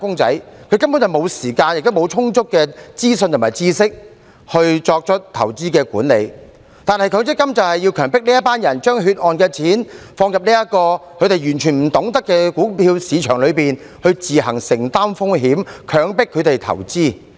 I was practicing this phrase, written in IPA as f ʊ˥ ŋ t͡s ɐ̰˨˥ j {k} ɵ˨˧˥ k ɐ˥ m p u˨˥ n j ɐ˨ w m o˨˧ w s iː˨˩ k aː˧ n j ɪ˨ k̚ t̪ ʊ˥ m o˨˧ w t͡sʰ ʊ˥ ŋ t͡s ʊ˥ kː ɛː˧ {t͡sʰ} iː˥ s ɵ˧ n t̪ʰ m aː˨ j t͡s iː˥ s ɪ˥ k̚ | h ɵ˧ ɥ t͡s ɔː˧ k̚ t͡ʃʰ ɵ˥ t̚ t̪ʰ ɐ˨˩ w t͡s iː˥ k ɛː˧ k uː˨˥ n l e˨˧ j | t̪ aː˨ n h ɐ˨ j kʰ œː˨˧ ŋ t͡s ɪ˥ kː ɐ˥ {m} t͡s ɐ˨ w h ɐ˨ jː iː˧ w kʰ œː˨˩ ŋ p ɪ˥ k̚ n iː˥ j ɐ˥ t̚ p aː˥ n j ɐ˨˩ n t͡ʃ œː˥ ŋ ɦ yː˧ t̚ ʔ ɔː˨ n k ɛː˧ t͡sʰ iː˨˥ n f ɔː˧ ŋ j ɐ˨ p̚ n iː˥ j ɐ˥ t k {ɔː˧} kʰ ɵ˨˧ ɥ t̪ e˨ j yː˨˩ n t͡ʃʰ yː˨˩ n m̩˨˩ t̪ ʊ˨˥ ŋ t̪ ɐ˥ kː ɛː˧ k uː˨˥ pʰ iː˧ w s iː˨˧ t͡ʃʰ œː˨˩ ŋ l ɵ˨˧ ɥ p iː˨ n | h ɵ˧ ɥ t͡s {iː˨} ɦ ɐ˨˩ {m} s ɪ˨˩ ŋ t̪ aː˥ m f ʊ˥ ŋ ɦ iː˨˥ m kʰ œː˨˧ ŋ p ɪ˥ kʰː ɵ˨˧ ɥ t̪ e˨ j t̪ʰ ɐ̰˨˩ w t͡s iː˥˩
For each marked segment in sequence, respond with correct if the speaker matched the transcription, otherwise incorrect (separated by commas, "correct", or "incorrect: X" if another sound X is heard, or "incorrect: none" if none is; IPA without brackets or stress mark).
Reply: incorrect: kʰ, incorrect: t͡s, correct, correct, correct, incorrect: ŋ